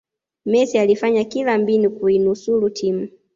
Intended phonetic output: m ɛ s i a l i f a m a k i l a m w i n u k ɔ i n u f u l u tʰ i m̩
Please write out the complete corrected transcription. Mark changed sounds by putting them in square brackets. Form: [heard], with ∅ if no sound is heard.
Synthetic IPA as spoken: m ɛ s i a l i f a [ɲ] a k i l a m [b] i n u k [u] i n u [s] u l u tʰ i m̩